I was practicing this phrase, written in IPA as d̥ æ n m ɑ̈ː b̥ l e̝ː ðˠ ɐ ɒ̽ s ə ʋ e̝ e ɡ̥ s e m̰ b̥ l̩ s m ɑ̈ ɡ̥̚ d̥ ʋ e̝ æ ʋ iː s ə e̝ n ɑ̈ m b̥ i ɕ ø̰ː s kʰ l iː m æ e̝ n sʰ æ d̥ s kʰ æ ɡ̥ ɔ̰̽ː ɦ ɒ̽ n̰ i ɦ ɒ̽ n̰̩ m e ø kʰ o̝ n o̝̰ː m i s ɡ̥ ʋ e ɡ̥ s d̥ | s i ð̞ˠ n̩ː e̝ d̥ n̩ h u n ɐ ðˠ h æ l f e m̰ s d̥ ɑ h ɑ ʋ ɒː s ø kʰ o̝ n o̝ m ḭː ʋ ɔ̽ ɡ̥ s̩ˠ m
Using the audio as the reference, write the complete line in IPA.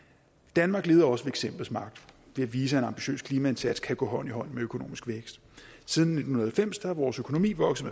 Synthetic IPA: d̥ æ n m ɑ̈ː ɡ̥ l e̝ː ðˠ ɐ ɒ̽ s ə ʋ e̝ e ɡ̥ s e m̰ b̥ l̩ s m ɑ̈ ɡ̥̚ d̥ ʋ e̝ æ ʋ iː s ə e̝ n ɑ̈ m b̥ i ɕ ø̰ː s kʰ l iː m æ e̝ n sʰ æ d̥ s kʰ æ ɡ̥ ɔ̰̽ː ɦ ɒ̽ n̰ i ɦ ɒ̽ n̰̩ m e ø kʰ o̝ n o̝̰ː m i s ɡ̥ ʋ e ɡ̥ s d̥ | s i ð̞ˠ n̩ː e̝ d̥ n̩ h u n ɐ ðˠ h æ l f e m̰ s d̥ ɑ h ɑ ʋ ɒː s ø kʰ o̝ n o̝ m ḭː ʋ ɒ̽ ɡ̥ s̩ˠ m

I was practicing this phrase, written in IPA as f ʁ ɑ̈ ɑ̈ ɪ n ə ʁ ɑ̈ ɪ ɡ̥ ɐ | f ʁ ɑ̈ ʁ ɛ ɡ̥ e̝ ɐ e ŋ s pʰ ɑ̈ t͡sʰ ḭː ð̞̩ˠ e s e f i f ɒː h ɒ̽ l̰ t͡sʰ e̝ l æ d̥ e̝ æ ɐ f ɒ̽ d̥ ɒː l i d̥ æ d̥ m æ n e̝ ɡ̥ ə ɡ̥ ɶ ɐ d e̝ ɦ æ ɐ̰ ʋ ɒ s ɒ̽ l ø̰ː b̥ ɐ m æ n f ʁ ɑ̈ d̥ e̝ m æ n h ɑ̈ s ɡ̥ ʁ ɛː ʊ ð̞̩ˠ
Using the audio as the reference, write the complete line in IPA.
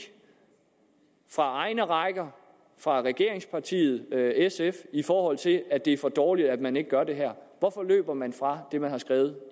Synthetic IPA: f ʁ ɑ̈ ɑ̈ ɪ n ə ʁ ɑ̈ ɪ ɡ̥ ɐ | f ʁ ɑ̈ ʁ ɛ ɡ̥ e̝ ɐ e ŋ s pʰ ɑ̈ t͡sʰ ḭː ð̞̩ˠ e s e f i f ɒː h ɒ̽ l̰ t͡sʰ e̝ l æ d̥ e̝ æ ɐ f ɒ̽ d̥ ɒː l i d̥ æ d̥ m æ n e̝ ɡ̥ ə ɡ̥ ɶ ɐ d e̝ ɦ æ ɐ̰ ʋ ɒ f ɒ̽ l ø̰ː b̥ ɐ m æ n f ʁ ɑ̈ d̥ e̝ m æ n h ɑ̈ s ɡ̥ ʁ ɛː ʊ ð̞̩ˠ

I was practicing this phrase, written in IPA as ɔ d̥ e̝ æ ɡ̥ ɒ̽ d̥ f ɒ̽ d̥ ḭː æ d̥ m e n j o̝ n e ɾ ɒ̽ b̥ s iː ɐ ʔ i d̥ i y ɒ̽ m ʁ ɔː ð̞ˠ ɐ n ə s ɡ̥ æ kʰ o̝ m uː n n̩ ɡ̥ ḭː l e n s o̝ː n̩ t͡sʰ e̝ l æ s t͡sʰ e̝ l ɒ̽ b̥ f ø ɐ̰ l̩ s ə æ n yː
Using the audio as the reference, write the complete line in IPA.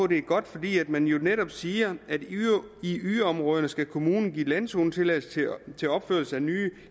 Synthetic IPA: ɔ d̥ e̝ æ ɡ̥ ɒ̽ d̥ f ɒ̽ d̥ ḭː æ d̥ m æ n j o̝ n e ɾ ɒ̽ b̥ s iː ɐ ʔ æ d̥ i y ɒ̽ m ʁ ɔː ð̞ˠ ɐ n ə s ɡ̥ æ kʰ o̝ m uː n n̩ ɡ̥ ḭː l æ n s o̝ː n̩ t͡sʰ e̝ l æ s t͡sʰ e̝ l ɒ̽ b̥ f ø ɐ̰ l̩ s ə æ n yː

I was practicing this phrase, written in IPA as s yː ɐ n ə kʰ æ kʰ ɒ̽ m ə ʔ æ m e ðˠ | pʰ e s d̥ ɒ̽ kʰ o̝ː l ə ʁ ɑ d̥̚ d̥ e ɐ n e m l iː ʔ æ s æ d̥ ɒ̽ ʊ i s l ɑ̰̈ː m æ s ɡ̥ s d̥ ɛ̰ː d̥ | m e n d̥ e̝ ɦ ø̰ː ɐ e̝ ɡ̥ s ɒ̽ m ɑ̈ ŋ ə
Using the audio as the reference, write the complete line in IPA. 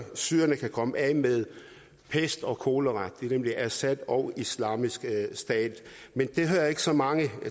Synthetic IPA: s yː ɐ n ə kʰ æ kʰ ɒ̽ m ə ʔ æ m e ðˠ | pʰ e s d̥ ɒ̽ kʰ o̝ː l ə ʁ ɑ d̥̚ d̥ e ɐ n e m l i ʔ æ s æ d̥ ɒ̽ ʊ i s l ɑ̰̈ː m i s ɡ̥ s d̥ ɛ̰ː d̥ | m e n d̥ e̝ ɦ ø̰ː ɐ e̝ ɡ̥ s ɒ̽ m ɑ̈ ŋ ə

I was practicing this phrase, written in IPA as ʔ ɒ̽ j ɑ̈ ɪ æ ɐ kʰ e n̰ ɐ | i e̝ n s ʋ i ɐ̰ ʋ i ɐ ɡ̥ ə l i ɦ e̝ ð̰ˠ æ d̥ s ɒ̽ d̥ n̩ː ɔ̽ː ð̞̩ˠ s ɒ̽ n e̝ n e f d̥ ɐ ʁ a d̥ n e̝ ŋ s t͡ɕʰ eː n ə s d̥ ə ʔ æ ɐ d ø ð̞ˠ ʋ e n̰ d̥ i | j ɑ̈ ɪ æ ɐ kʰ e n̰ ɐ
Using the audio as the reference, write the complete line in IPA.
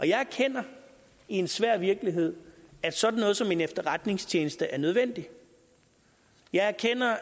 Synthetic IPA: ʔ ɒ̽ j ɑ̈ ɪ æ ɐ kʰ e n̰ ɐ | i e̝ n s ʋ æ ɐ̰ ʋ i ɐ ɡ̥ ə l i ɦ e̝ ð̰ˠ æ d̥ s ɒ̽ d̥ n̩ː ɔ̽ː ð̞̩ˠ s ɒ̽ m e̝ n e f d̥ ɐ ʁ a d̥ n e̝ ŋ s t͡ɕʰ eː n ə s d̥ ə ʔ æ ɐ n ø ð̞ˠ ʋ e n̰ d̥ i | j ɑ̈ ɪ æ ɐ kʰ e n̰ ɐ

